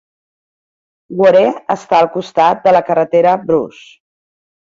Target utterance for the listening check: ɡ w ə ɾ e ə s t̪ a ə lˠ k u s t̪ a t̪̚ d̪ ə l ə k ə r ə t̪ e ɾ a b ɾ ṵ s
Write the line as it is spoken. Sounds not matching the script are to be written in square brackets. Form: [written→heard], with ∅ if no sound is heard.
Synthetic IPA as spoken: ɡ w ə ɾ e ə s t̪ a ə lˠ k u s t̪ a t̪̚ d̪ ə l ə k ə r ə t̪ e ɾ [a→ə] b ɾ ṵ s